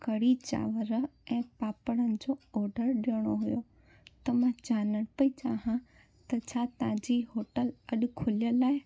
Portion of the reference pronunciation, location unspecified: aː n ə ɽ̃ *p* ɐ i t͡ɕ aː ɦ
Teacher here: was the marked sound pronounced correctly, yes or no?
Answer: yes